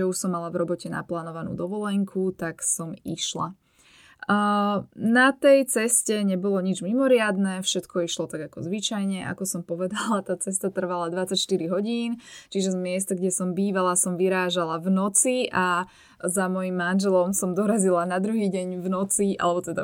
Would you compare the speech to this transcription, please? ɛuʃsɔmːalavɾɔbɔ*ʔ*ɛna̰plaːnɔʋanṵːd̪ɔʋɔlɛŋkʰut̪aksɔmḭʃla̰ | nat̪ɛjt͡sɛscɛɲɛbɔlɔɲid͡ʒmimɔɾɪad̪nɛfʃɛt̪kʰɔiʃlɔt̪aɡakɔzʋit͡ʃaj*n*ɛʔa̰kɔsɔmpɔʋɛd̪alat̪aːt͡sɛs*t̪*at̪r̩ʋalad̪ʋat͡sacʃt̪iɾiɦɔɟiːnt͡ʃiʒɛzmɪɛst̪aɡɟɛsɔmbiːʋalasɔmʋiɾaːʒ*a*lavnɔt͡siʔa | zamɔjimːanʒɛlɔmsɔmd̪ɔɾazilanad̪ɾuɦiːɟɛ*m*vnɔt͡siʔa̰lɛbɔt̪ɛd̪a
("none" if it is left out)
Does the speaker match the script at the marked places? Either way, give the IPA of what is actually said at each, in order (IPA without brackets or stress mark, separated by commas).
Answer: c, ɲ, t̪, a, ɲ